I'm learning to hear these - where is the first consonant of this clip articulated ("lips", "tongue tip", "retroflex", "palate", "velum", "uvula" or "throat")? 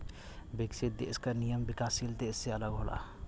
lips